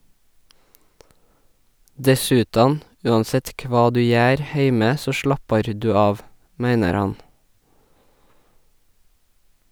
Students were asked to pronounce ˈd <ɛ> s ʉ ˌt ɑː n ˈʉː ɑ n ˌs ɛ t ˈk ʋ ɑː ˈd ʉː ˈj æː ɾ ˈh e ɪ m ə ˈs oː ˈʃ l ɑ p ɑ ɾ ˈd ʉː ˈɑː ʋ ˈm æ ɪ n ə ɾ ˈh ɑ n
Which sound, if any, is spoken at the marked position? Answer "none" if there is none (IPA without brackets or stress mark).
ɛ